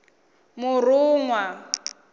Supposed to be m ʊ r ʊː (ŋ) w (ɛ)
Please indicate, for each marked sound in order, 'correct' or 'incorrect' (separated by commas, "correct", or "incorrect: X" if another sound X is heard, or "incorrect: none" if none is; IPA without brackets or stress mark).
correct, incorrect: a